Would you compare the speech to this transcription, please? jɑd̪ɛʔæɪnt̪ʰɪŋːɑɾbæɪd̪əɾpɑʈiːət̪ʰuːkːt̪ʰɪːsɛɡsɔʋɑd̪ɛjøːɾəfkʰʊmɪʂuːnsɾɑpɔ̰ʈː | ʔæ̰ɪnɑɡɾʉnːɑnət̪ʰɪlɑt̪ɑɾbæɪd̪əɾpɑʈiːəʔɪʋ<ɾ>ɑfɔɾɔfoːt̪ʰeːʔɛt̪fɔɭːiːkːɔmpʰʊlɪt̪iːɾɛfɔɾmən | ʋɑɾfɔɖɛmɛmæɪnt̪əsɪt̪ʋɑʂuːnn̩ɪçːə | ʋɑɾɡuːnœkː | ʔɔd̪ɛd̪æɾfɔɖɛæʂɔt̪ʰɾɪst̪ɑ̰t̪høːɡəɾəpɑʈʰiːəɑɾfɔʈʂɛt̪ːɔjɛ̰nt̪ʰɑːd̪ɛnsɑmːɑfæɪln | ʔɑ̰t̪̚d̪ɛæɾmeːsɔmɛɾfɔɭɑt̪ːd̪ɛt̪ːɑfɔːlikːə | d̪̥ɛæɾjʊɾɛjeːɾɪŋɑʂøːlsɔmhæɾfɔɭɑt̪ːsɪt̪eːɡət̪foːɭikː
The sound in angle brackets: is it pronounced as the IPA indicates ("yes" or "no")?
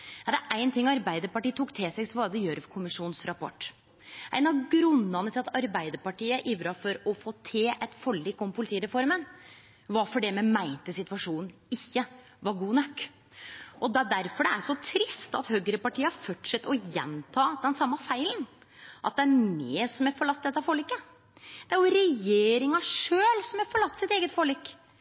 yes